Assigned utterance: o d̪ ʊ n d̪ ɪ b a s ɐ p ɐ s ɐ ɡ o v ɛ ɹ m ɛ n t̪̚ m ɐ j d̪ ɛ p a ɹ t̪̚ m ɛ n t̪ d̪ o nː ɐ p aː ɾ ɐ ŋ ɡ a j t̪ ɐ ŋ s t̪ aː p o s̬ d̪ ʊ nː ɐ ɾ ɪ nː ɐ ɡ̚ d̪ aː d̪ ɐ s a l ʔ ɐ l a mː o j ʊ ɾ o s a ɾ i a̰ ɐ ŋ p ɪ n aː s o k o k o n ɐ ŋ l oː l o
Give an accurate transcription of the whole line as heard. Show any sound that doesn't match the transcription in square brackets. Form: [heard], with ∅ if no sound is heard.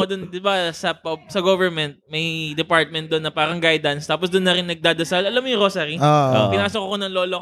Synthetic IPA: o d̪ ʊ n d̪ ɪ b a s ɐ p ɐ s ɐ ɡ o v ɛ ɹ m ɛ n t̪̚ m ɐ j d̪ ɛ p a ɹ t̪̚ m ɛ n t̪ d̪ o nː ɐ p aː ɾ ɐ ŋ ɡ a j [d̪] ɐ [n] s t̪ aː p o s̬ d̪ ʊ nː ɐ ɾ ɪ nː ɐ ɡ̚ d̪ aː d̪ ɐ s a l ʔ ɐ l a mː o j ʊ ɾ o s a ɾ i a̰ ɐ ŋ p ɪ n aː s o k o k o n ɐ ŋ l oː l o